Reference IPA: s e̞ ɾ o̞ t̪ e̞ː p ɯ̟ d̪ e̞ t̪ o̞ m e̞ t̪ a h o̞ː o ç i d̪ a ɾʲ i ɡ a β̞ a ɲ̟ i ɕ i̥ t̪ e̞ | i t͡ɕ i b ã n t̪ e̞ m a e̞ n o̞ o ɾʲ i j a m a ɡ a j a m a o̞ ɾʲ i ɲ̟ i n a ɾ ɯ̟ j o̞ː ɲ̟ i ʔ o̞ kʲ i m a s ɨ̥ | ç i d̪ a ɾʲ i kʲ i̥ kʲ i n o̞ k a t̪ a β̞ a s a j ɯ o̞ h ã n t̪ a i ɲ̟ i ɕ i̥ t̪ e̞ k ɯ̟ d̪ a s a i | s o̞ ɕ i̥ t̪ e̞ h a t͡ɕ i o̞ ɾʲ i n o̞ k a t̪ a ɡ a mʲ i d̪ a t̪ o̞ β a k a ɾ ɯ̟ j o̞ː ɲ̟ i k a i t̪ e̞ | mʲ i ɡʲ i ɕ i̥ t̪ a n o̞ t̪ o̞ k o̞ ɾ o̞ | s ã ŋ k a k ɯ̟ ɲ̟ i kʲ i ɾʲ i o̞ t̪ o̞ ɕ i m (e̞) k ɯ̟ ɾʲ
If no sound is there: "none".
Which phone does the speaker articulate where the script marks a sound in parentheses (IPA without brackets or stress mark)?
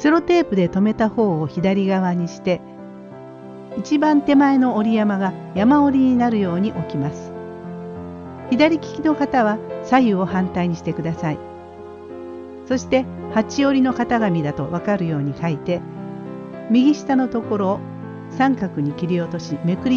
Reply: e̞